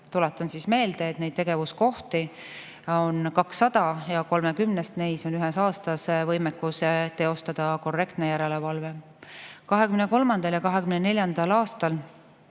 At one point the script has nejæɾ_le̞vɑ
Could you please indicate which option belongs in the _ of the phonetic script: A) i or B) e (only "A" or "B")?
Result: B